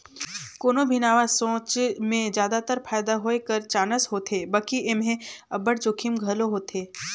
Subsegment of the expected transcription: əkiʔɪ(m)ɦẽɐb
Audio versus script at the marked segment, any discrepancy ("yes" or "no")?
no